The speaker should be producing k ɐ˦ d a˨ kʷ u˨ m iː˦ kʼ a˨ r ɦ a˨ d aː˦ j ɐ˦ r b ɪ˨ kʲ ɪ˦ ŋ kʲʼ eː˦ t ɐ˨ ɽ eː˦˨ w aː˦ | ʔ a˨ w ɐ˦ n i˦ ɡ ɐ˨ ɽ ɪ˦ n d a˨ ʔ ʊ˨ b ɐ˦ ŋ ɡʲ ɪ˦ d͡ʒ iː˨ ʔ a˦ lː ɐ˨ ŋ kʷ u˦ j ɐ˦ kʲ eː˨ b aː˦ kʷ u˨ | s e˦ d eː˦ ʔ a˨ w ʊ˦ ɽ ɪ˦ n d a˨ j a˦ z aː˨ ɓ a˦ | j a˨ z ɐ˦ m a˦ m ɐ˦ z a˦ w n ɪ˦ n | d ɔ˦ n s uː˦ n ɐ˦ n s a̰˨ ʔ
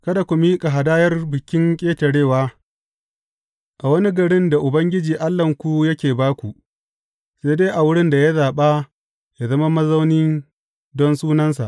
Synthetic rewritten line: k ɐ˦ d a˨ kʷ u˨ m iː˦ kʼ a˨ ɦ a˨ d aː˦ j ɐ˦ r b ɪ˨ kʲ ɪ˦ ŋ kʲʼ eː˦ t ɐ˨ ɽ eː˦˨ w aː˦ | ʔ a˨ w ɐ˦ n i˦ ɡ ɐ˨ ɽ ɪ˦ n d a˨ ʔ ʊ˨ b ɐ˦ ŋ ɡʲ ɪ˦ d͡ʒ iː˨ ʔ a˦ lː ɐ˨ ŋ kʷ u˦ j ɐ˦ kʲ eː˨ b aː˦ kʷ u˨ | s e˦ d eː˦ ʔ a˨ w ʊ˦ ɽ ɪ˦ n d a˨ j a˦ z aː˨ ɓ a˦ | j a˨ z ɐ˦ m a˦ m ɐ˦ z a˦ w n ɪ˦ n | d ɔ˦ n s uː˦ n ɐ˦ n s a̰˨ ʔ